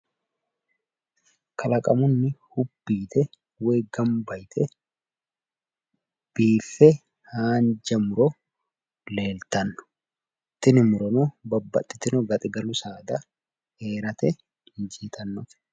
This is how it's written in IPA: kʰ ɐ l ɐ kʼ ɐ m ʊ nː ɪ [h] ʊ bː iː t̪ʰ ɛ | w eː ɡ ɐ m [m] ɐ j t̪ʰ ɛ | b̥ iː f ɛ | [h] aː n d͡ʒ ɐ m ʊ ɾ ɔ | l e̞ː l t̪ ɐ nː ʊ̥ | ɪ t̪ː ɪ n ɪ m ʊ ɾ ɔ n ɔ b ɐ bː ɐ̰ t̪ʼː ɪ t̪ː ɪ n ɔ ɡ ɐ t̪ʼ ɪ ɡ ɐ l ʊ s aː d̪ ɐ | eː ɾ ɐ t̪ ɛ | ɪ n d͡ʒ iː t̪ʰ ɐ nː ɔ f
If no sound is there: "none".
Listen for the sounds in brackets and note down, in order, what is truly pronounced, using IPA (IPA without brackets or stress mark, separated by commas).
h, b, h